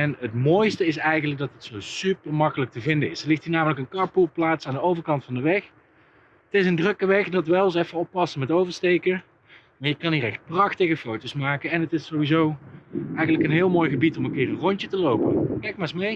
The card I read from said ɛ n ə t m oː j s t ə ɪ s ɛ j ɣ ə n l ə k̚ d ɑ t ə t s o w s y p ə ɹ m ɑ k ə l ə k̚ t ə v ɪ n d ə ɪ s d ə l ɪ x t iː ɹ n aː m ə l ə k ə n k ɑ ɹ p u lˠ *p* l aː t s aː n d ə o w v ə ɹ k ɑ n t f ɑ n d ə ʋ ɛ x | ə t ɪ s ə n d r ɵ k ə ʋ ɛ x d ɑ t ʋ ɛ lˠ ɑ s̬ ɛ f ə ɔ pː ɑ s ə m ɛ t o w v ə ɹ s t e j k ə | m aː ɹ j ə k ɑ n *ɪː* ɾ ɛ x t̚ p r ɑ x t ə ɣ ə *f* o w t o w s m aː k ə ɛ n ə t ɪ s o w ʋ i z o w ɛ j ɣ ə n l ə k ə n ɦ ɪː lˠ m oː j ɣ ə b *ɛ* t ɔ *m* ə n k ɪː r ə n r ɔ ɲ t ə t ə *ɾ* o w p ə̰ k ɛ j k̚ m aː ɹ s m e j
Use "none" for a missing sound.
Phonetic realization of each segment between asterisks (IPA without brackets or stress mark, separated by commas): p, iː, f, i, m, l